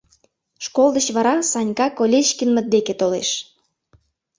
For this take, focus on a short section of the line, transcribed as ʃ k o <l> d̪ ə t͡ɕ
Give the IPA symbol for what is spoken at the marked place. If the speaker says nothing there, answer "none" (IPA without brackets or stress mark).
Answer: l